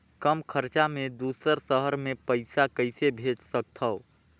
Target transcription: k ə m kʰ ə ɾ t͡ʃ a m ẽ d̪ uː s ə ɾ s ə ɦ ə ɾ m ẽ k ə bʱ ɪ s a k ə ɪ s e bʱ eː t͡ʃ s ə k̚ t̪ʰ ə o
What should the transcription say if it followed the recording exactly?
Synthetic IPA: k ə m kʰ ə ɾ t͡ʃ a m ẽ d̪ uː s ə ɾ s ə ɦ ə ɾ m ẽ p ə ɪ s a k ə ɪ s e bʱ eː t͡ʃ s ə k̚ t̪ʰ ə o